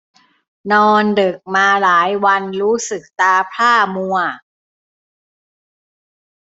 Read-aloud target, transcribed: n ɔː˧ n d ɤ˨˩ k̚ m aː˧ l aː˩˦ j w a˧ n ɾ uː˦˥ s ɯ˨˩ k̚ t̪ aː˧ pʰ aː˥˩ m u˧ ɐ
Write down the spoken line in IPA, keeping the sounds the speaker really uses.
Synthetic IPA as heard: n ɔː˧ n d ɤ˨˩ k̚ m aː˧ l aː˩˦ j w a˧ n ɾ uː˦˥ s ɯ˨˩ k̚ t̪ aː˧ pʰ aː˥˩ m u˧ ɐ

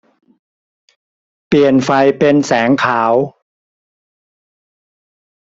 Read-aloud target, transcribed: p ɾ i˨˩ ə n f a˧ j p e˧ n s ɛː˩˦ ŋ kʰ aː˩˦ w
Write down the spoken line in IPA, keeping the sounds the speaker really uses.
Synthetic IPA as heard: p l i˨˩ ə n f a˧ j p e˧ n s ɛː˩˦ ŋ kʰ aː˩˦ w

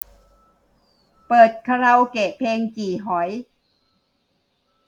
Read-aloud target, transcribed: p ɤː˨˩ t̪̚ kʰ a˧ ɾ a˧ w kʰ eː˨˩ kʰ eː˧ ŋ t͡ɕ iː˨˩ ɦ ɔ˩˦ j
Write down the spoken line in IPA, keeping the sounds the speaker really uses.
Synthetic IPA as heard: p ɤː˨˩ t̪̚ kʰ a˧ ɾ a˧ w k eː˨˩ pʰ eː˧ ŋ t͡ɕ iː˨˩ ɦ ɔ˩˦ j

